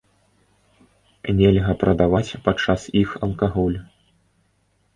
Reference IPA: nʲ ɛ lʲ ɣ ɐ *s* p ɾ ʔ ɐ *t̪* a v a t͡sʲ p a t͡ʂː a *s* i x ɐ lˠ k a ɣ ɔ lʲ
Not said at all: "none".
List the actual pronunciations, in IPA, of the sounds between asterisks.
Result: none, d̪, s

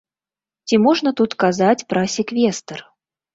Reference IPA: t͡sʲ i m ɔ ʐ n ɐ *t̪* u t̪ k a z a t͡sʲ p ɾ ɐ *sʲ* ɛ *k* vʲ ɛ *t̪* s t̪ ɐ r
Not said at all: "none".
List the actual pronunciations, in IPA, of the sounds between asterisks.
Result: t̪, sʲ, k, none

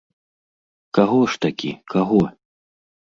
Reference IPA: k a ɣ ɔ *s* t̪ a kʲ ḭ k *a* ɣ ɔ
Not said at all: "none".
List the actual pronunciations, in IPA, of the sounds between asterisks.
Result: ʂ, a

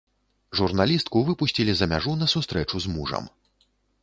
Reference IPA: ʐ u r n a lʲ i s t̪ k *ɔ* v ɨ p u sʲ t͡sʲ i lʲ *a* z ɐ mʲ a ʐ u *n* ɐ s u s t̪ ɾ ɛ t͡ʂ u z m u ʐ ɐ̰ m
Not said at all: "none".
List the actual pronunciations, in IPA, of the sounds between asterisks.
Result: u, i, n

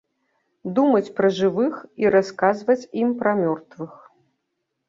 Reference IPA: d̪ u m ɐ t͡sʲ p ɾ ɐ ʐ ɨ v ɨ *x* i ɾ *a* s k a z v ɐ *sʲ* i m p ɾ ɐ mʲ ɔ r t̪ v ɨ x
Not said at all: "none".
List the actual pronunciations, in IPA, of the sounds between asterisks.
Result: x, a, t͡sʲ

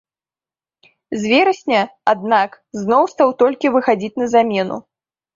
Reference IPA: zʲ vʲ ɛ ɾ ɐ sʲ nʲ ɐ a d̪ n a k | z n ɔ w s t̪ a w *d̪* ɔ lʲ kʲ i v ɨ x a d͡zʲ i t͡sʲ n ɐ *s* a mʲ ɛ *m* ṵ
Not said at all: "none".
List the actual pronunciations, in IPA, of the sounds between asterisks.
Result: t̪, z, n

